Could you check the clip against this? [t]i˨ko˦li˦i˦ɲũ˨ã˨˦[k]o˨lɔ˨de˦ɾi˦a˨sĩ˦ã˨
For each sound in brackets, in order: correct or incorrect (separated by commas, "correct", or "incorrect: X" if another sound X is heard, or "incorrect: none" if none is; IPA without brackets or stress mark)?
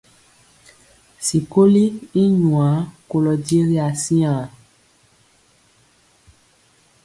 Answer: incorrect: s, correct